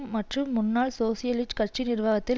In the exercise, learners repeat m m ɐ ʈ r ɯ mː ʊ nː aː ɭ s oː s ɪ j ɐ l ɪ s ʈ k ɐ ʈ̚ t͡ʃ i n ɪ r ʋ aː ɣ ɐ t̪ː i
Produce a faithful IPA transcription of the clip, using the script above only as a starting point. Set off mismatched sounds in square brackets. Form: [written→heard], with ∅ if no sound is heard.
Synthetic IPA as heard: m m ɐ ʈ r ɯ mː ʊ nː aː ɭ s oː s ɪ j ɐ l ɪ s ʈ k ɐ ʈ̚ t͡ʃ i n ɪ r ʋ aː ɣ ɐ t̪ː [i→ɪ]